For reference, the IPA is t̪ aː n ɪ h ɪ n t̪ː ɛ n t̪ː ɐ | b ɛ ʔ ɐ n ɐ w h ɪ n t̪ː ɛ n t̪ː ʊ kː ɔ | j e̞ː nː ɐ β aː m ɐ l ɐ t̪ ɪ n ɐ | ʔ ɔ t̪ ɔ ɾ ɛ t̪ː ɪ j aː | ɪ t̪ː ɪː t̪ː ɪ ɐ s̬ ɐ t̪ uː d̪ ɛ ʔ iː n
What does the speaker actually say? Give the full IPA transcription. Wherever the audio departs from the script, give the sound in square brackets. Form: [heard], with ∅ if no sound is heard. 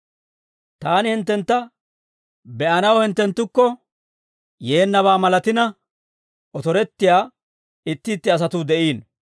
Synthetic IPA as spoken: t̪ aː n ɪ h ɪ n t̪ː ɛ n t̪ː ɐ | b ɛ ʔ ɐ n ɐ w h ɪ n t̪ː ɛ n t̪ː ʊ kː ɔ | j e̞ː nː ɐ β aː m ɐ l ɐ t̪ ɪ n ɐ | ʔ ɔ t̪ ɔ ɾ ɛ t̪ː ɪ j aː | ɪ t̪ː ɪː t̪ː ɪ ɐ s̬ ɐ t̪ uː d̪ ɛ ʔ iː n